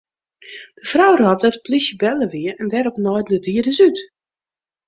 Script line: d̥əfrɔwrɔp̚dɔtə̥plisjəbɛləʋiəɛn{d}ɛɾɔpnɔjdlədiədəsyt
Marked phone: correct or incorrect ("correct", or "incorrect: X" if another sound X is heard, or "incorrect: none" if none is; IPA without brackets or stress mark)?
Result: correct